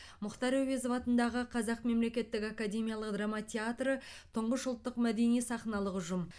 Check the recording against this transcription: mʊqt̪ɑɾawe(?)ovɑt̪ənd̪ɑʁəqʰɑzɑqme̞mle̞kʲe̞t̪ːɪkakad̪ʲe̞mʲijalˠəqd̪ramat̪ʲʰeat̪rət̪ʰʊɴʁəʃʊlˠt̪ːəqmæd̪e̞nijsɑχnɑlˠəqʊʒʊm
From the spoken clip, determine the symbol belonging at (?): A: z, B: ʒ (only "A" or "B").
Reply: A